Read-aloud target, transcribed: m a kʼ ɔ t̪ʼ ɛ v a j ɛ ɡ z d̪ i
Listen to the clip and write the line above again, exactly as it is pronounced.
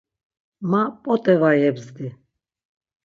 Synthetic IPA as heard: m a pʼ ɔ t̪ʼ ɛ v a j ɛ b z d̪ i